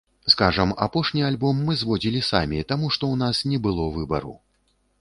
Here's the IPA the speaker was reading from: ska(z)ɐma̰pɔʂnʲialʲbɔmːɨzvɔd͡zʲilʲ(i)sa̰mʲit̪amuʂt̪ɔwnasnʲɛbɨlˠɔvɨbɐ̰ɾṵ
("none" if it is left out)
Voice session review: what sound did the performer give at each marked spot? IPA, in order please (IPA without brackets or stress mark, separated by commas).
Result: ʐ, i